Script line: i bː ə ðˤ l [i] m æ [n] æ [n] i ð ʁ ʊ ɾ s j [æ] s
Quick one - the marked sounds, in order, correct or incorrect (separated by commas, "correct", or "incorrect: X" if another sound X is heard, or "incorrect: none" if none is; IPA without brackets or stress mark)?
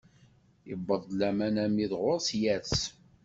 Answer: incorrect: æ, correct, incorrect: m, correct